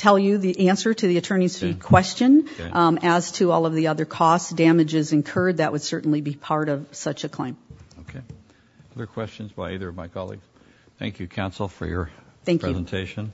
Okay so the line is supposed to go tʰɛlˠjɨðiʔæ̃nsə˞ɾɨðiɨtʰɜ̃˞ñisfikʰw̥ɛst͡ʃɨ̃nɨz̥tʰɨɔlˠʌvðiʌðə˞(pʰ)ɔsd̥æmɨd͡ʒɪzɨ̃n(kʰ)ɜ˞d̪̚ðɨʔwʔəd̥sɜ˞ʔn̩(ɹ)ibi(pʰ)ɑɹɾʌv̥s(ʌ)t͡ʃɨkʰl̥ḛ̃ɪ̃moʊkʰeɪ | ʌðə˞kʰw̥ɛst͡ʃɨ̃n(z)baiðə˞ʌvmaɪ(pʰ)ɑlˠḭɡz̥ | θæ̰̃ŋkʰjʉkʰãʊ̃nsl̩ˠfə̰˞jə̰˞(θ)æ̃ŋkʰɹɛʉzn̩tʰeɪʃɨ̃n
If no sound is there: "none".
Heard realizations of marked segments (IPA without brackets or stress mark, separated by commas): kʰ, kʰ, l, pʰ, ʌ, z, kʰ, θ